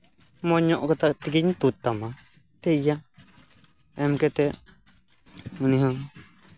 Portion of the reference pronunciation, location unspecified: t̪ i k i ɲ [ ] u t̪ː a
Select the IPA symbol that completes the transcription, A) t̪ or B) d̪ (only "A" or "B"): A